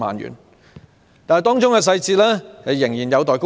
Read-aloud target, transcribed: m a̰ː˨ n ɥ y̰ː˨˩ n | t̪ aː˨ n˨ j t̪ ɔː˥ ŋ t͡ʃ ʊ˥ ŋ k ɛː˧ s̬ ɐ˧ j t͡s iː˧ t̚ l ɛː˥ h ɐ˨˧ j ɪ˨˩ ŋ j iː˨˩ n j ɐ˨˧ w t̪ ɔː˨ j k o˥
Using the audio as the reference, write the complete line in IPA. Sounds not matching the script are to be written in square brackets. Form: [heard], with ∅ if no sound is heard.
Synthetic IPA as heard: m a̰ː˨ n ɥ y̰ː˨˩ n | t̪ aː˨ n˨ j t̪ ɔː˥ ŋ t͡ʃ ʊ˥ ŋ k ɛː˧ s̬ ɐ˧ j t͡s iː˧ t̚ l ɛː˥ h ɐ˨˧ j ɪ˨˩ ŋ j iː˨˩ n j ɐ˨˧ w t̪ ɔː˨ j k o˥